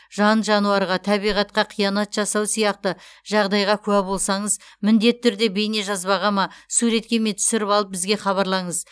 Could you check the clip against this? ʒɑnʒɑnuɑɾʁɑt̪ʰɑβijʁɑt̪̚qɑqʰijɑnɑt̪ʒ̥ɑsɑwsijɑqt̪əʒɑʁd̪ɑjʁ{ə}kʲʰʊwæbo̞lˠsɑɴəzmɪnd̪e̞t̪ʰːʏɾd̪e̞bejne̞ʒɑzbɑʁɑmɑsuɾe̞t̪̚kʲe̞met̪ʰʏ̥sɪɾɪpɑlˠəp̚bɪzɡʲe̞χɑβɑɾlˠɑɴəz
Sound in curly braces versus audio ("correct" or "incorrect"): incorrect